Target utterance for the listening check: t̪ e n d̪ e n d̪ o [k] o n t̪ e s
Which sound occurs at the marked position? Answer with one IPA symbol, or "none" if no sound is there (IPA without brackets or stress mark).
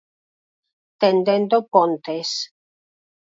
p